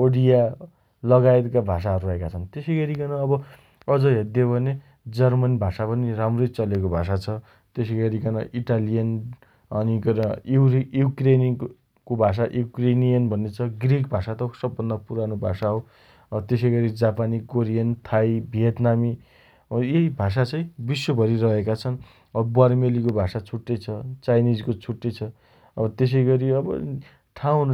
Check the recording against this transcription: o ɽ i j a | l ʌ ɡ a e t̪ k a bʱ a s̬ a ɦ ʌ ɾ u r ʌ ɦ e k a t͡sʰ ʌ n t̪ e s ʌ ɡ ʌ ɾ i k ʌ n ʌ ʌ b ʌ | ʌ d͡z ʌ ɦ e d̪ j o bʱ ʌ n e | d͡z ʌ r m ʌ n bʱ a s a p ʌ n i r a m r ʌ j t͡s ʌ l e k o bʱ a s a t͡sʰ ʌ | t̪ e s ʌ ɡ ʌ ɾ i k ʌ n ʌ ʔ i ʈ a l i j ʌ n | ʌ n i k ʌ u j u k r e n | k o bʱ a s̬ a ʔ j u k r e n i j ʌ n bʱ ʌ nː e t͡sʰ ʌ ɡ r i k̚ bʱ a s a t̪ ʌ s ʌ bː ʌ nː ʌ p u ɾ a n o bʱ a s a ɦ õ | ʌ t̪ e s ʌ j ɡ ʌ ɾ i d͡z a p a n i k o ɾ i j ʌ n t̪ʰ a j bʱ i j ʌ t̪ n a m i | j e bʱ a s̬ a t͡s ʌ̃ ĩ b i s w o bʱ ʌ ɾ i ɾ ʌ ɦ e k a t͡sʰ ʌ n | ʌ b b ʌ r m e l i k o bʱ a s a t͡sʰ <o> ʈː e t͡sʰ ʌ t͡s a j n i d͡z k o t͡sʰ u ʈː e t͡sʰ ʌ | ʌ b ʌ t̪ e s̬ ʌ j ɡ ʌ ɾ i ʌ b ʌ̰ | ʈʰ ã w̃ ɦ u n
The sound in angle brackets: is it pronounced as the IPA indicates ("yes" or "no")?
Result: no